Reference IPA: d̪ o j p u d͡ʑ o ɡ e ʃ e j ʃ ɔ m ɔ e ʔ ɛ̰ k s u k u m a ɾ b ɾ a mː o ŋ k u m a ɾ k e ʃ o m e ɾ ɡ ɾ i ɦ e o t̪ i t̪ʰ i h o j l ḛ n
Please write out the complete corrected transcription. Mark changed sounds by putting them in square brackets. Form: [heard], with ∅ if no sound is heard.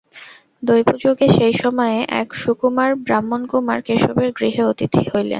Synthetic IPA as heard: d̪ o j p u d͡ʑ o ɡ e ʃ e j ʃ ɔ m ɔ e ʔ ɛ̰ k [ʃ] u k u m a ɾ b ɾ a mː o [n] k u m a ɾ k e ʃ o [b] e ɾ ɡ ɾ i ɦ e o t̪ i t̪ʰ i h o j l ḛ n

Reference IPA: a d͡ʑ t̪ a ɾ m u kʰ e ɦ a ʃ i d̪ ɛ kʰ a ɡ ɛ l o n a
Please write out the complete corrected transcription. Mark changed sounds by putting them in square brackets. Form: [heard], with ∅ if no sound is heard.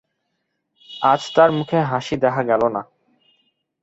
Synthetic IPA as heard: a d͡ʑ t̪ a ɾ m u kʰ e ɦ a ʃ i d̪ ɛ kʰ a ɡ ɛ l o n a

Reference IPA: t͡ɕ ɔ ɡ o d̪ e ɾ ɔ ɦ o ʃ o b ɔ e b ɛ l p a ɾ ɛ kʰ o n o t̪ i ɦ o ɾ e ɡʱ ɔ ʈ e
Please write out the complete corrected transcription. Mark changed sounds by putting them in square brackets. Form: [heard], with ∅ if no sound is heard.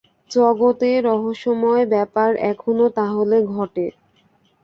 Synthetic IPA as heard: t͡ɕ ɔ ɡ o [t̪] e ɾ ɔ ɦ o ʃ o [m] ɔ e b ɛ [∅] p a ɾ ɛ kʰ o n o t̪ [a] ɦ o [l] e ɡʱ ɔ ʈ e

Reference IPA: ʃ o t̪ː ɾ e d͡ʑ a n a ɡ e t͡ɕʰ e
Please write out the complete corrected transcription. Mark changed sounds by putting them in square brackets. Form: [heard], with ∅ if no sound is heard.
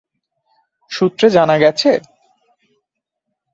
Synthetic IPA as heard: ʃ [u] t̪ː ɾ e d͡ʑ a n a ɡ [ɛ] t͡ɕʰ e

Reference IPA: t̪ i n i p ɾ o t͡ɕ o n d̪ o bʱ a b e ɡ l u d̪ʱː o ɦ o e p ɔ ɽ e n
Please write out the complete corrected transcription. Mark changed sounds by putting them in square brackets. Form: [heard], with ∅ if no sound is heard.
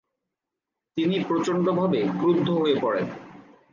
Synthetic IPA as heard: t̪ i n i p ɾ o t͡ɕ o n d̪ o bʱ a b e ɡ [ɾ] u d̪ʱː o ɦ o e p ɔ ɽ e n

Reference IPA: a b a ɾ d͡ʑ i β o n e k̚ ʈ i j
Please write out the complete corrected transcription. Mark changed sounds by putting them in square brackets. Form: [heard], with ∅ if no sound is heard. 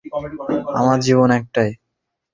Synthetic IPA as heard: a [m] a ɾ d͡ʑ i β o n [ɛ] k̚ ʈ [a] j

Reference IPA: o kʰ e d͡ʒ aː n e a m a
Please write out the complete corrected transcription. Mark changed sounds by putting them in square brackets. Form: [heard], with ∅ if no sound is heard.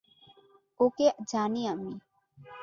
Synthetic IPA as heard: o [k] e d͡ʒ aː n [i] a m [i]

